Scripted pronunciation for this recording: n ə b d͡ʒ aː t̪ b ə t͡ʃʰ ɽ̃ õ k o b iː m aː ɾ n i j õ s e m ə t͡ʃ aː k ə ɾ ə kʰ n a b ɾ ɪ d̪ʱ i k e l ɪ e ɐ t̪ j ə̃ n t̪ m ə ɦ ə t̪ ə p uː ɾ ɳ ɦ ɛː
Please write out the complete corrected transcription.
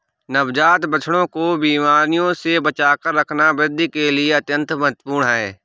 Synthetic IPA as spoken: n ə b d͡ʒ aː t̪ b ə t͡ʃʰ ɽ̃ õ k o b iː m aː ɾ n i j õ s e b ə t͡ʃ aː k ə ɾː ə kʰ n a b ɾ ɪ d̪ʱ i k e l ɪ e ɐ t̪ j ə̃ n t̪ m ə ɦ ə t̪ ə p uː ɾ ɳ ɦ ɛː